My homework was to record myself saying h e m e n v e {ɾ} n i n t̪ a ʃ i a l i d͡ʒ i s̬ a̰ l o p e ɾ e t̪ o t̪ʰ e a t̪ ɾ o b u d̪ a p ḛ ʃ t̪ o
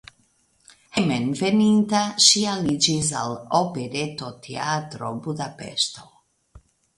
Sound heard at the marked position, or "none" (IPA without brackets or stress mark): none